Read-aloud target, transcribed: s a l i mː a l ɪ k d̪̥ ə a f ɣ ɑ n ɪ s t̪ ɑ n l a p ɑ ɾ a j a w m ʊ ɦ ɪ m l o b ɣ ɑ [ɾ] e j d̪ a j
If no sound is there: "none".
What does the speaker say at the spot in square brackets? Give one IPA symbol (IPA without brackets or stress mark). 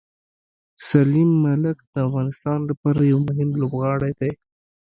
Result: ɽ